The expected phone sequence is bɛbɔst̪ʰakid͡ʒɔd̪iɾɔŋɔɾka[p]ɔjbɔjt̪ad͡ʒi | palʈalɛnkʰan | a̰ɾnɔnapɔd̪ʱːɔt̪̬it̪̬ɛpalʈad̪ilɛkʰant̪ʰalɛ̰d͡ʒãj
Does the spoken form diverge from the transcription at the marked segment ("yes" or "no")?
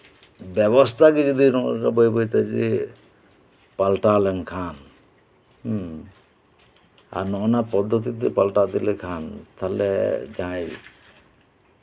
yes